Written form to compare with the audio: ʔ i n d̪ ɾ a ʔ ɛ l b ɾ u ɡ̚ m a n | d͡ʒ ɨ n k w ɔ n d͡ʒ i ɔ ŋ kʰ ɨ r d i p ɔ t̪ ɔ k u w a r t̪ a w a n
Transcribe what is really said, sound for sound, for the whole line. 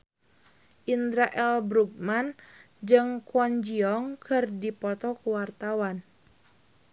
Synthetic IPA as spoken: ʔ i n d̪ ɾ a ʔ ɛ l b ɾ u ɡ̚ m a n | d͡ʒ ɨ ŋ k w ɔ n d͡ʒ i ɔ ŋ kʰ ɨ r d i p ɔ t̪ ɔ k u w a r t̪ a w a n